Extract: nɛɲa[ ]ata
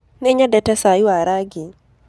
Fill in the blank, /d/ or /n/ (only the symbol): d